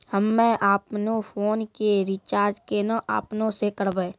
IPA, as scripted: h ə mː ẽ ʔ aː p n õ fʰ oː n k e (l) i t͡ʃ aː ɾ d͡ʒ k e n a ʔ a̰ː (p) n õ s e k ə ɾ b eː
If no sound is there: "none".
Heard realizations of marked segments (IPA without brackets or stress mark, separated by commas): ɾ, p